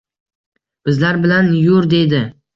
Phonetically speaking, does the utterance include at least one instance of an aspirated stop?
no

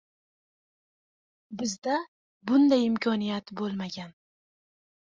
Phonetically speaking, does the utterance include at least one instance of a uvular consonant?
no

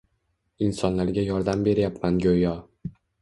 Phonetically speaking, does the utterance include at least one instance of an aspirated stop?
no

